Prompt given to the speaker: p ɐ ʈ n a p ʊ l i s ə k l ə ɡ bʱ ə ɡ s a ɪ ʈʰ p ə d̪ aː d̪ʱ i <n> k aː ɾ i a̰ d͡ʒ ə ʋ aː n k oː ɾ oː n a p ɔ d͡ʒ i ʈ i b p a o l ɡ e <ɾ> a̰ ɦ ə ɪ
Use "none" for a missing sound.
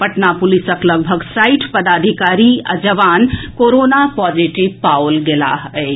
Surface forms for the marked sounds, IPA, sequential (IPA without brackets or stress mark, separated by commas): none, l